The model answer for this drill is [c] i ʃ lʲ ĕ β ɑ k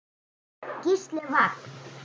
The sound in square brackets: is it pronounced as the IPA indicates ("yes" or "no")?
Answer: no